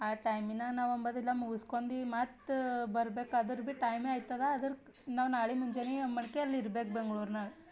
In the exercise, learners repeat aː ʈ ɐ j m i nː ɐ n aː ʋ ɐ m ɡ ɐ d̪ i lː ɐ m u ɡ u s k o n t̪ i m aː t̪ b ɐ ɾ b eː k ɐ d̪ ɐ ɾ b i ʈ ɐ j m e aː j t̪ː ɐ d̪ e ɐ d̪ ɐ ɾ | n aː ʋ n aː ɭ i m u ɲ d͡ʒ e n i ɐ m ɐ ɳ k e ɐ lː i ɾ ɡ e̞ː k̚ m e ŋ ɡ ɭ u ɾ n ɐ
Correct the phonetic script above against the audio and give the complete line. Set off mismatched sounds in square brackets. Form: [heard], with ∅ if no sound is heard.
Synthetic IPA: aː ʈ ɐ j m i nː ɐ n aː ʋ ɐ m [b] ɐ d̪ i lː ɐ m u ɡ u s k o n [d̪] i m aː t̪ b ɐ ɾ b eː k ɐ d̪ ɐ ɾ b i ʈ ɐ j m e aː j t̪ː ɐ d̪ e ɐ d̪ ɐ ɾ | n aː ʋ n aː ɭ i m u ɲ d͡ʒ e n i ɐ m ɐ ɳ k e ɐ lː i ɾ [b] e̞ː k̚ [b] e ŋ ɡ ɭ u ɾ n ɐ